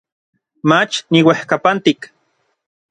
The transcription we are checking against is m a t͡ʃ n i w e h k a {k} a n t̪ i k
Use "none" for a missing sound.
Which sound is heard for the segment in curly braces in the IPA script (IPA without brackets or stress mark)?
p